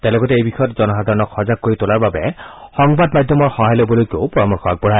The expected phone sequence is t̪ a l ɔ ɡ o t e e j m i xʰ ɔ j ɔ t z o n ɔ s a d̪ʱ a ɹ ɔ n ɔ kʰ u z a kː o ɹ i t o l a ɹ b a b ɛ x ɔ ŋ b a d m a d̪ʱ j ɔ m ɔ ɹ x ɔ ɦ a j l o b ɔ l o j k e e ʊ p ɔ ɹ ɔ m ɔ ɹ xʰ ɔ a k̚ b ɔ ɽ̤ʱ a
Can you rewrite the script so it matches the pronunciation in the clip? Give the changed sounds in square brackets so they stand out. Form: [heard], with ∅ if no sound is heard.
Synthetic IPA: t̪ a l ɔ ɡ [ɔ] t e e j [b] i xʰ ɔ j ɔ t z [ɔ] n ɔ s a d̪ʱ a ɹ ɔ n ɔ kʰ [ɔ] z a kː o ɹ i t o l a ɹ b a b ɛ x ɔ ŋ b a d m a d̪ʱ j ɔ m ɔ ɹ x ɔ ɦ a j l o b ɔ l o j k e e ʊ p ɔ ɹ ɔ m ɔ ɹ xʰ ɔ a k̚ b ɔ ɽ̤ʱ a